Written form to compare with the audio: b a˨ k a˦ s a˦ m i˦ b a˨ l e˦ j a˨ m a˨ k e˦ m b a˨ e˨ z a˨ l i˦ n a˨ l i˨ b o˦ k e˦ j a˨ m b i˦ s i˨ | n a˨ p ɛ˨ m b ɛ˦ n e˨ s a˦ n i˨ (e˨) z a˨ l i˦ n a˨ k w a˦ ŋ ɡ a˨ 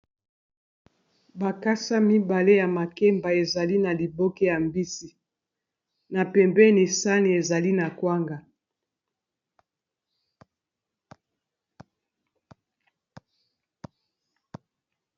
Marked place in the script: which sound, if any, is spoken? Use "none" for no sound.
e˨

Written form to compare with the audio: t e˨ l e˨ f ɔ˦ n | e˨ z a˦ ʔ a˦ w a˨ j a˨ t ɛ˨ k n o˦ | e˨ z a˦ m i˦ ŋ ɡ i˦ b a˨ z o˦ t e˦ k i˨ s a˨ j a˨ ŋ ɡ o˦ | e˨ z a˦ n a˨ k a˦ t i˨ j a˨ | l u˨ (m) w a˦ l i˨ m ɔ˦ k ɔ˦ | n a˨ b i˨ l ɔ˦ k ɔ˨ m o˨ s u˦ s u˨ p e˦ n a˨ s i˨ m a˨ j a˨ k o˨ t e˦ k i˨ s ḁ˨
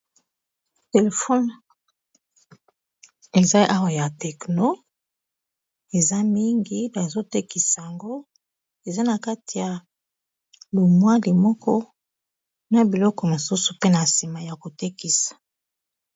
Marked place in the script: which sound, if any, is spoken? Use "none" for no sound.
m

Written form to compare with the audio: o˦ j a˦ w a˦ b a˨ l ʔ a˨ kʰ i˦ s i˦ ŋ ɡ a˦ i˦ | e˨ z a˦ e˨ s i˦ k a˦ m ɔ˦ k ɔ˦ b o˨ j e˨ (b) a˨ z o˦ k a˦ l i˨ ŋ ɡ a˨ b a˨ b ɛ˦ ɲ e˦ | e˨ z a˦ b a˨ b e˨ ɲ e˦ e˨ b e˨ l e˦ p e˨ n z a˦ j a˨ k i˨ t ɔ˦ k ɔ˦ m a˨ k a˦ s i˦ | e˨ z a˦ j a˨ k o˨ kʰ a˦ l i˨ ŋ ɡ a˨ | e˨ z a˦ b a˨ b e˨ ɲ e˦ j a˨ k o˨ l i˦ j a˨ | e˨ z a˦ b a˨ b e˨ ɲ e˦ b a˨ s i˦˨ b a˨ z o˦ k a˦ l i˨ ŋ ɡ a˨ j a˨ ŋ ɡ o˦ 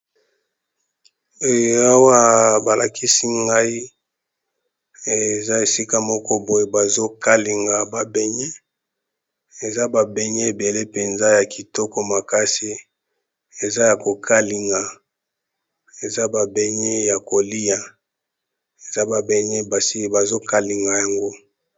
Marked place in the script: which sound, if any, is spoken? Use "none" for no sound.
b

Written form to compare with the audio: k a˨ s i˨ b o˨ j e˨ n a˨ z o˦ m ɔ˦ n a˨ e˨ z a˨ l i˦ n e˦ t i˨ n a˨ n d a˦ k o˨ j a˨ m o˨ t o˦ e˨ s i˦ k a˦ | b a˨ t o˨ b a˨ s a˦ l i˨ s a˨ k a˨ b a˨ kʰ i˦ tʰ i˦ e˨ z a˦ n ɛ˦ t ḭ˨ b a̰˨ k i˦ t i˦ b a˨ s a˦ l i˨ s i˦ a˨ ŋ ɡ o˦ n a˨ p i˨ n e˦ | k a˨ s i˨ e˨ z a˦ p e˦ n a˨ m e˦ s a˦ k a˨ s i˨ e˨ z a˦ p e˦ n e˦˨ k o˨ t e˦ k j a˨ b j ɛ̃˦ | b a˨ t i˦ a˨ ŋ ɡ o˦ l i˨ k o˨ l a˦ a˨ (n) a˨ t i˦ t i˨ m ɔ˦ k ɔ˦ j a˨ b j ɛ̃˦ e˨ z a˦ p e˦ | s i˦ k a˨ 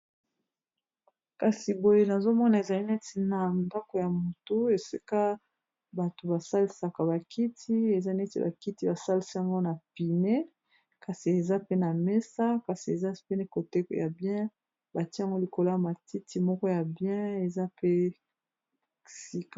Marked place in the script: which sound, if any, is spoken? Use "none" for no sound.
m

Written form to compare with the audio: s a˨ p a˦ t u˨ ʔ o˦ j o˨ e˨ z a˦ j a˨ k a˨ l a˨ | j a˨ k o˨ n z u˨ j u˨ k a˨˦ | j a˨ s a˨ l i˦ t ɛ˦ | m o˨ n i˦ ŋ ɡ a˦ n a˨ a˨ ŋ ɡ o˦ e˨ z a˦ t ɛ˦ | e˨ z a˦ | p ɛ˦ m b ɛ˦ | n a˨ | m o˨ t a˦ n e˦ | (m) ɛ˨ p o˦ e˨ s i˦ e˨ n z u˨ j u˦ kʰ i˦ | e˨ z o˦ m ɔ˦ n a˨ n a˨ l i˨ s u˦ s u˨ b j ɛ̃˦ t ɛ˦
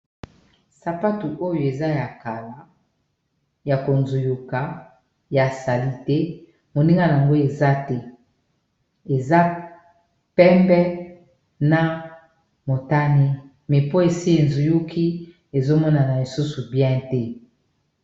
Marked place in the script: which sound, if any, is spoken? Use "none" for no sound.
m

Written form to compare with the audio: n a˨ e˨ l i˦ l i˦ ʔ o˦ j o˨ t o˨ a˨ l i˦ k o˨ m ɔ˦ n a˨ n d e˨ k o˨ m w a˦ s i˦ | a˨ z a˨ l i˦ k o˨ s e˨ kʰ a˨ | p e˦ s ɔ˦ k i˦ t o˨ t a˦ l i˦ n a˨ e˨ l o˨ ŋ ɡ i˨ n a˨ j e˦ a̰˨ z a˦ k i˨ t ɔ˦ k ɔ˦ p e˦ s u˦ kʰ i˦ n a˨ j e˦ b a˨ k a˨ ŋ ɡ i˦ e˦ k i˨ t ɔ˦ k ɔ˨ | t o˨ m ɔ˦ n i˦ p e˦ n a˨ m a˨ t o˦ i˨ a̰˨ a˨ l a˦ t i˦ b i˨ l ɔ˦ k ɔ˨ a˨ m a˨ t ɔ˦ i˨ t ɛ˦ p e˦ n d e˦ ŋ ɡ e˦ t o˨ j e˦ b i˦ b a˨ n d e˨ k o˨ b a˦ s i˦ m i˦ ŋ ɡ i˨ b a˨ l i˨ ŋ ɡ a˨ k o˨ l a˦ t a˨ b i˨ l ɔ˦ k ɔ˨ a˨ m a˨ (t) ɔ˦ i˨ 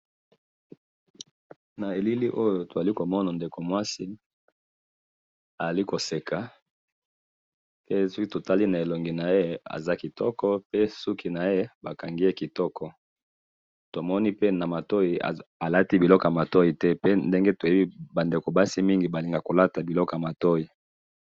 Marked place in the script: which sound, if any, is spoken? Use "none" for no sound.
t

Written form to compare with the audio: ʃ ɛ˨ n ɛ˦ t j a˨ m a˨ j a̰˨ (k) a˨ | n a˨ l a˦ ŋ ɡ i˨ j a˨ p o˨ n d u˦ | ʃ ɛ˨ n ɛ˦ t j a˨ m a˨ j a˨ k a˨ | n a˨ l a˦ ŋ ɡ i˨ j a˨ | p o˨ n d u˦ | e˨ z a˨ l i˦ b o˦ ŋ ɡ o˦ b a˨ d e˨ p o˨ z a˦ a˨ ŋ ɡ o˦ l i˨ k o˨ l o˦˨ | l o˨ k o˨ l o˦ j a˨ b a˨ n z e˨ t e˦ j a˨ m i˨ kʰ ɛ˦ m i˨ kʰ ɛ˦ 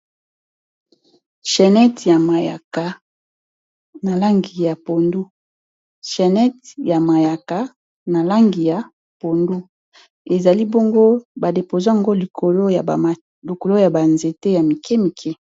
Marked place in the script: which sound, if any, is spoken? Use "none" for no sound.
k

